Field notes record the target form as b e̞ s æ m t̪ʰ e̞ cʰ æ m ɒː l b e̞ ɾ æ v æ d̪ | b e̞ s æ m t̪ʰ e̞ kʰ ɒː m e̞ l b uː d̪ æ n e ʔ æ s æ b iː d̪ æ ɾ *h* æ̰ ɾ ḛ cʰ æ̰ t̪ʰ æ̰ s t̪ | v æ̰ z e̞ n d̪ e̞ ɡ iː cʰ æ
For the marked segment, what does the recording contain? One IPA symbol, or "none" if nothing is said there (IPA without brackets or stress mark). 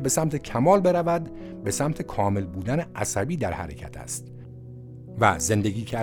h